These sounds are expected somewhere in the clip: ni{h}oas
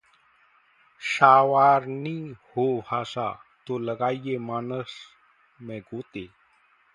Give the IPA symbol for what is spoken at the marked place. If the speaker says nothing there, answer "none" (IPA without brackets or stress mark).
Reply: h